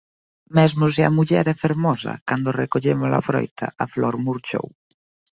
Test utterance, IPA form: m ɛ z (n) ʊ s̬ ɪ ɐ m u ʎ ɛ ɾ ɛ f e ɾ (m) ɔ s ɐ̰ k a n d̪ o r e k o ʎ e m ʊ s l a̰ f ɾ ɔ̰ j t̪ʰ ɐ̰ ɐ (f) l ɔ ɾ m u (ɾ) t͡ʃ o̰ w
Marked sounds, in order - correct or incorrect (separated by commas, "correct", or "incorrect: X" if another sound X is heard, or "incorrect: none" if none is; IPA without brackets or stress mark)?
incorrect: m, correct, correct, correct